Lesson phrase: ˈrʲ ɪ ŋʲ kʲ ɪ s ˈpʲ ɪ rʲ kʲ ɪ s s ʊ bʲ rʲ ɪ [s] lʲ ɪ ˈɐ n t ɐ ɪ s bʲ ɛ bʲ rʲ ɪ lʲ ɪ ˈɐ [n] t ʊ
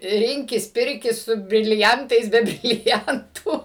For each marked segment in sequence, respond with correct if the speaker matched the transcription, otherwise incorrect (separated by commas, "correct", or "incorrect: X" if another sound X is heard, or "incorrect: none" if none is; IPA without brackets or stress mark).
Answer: incorrect: none, correct